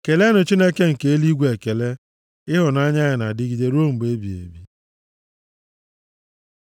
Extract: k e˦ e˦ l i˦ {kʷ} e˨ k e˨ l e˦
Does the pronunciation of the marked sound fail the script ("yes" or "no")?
yes